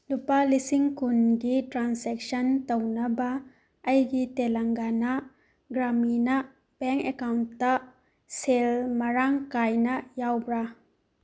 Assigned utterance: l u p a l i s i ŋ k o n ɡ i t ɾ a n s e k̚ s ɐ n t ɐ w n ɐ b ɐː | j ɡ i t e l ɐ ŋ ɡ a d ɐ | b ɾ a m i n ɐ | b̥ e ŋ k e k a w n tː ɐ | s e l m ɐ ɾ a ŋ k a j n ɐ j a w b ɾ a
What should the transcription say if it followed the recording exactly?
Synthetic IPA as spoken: l u p a l i s i ŋ k u n ɡ i t ɾ a n s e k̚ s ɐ n t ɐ w n ɐ b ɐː | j ɡ i t e l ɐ ŋ ɡ a n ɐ | ɡ ɾ a m i n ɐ | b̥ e ŋ k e k a w n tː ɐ | s e l m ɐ ɾ a ŋ k a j n ɐ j a w b ɾ a